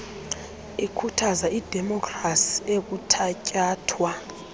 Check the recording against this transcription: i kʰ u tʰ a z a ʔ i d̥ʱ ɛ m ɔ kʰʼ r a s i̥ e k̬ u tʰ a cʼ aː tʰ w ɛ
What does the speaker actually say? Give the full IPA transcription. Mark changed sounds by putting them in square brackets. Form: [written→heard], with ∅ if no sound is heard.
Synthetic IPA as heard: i kʰ u tʰ a z a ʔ i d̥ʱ ɛ m ɔ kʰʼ r a s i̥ e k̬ u tʰ a cʼ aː tʰ w [ɛ→a]